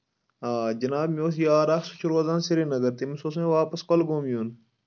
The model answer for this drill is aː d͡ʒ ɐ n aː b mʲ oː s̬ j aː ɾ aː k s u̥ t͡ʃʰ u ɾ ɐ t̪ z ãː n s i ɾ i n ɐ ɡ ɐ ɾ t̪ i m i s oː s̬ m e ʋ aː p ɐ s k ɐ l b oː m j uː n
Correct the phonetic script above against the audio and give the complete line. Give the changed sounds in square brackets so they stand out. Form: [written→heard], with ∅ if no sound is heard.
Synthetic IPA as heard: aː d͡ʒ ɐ n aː b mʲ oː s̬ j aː ɾ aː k s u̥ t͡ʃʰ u ɾ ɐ [t̪→∅] z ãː n s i ɾ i n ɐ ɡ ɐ ɾ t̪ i m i s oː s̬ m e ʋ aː p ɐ s k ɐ l [b→ɡ] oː m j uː n